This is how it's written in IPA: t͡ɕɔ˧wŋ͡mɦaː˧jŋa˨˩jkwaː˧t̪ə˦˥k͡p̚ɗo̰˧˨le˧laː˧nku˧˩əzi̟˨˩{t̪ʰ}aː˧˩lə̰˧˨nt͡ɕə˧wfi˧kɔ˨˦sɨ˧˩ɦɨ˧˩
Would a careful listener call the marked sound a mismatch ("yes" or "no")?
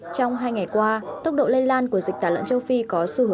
yes